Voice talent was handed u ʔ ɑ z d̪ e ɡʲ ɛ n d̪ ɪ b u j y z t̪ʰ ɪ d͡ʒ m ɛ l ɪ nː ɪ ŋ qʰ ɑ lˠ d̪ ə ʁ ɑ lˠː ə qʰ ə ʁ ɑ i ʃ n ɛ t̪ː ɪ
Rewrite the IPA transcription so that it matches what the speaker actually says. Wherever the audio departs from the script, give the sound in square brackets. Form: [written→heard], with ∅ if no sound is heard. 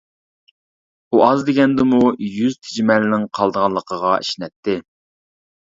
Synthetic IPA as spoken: u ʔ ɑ z d̪ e ɡʲ ɛ n d̪ ɪ [b→m] u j y z t̪ʰ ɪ d͡ʒ m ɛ l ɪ [nː→n] ɪ ŋ qʰ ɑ lˠ d̪ ə ʁ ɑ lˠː ə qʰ ə ʁ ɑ i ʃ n ɛ t̪ː ɪ